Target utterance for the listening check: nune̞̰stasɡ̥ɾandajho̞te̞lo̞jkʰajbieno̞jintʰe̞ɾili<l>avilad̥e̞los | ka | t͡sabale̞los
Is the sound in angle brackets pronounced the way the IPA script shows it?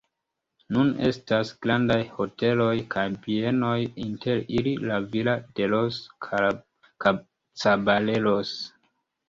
yes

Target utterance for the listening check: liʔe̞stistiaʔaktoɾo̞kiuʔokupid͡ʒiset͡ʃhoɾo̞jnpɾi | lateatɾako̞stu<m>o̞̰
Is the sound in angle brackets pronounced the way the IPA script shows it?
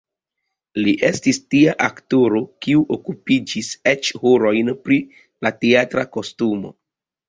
yes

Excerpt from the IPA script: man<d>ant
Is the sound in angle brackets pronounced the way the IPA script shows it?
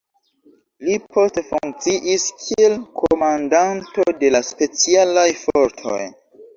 yes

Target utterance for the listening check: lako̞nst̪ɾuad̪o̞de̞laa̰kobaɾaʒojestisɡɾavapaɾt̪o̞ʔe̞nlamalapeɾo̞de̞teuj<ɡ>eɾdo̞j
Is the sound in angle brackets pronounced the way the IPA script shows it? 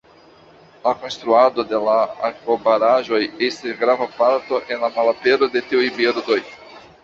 no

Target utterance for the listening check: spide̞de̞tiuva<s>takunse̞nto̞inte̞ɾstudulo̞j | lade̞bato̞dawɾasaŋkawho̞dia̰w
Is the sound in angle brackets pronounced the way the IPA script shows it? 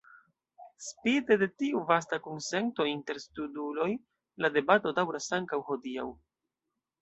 yes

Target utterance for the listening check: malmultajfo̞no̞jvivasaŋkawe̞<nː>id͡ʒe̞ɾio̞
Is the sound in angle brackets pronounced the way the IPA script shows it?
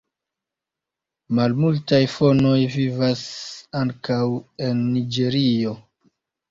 yes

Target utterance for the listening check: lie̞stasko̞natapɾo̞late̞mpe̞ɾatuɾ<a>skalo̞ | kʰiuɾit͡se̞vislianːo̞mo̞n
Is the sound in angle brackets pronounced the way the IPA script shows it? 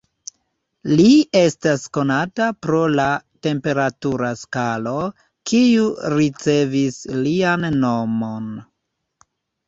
yes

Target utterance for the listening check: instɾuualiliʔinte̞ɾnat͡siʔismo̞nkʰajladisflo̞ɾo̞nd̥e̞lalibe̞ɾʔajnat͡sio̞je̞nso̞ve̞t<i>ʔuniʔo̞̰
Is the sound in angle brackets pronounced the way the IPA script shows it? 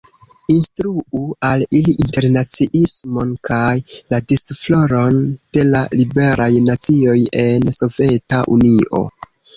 no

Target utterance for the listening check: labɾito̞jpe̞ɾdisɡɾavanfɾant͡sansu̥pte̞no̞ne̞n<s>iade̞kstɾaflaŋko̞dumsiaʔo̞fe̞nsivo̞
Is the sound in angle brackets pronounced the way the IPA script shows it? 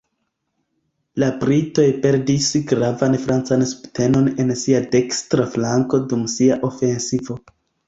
yes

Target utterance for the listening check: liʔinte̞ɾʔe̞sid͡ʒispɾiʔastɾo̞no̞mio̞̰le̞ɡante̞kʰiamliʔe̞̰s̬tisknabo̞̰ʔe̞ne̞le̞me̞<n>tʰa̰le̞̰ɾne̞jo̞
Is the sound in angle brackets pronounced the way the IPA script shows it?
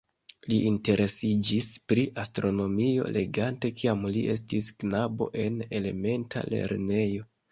yes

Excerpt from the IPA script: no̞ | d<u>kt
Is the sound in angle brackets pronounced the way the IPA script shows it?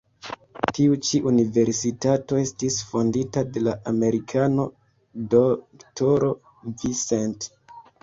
no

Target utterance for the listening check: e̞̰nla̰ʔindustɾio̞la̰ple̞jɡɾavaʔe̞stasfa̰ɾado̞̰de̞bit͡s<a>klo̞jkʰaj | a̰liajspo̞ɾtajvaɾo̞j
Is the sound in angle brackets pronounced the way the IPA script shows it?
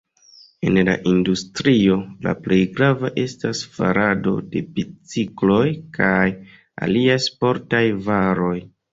no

